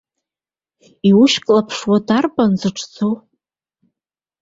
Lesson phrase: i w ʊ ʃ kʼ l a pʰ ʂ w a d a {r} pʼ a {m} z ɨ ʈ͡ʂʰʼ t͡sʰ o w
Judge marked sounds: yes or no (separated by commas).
yes, no